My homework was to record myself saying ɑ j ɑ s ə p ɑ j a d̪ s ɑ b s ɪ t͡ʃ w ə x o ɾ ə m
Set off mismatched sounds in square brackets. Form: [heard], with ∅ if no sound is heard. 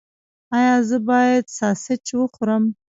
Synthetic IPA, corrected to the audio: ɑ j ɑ [z] ə [b] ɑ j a d̪ s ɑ [∅] s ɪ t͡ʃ w ə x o ɾ ə m